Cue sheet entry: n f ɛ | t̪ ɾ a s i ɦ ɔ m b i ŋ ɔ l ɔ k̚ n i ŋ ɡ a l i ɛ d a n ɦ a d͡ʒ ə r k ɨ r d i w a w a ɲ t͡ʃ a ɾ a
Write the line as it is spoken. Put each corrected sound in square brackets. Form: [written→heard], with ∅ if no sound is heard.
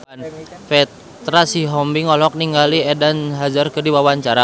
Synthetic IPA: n f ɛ | t̪ ɾ a s i ɦ ɔ m b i ŋ ɔ l ɔ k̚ n i ŋ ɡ a l i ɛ d a n ɦ a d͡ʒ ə r k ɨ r d i w a w a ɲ t͡ʃ a ɾ a